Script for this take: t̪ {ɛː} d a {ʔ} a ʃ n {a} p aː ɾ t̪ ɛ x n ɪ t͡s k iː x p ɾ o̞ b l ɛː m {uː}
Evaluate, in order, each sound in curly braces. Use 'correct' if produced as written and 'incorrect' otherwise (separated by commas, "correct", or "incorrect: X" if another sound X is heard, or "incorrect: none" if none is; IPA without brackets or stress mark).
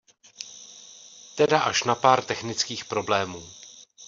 incorrect: ɛ, correct, correct, correct